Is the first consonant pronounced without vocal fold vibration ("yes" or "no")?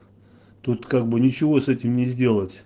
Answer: yes